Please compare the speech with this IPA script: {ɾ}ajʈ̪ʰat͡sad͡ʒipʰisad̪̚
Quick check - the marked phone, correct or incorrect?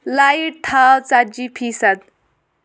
incorrect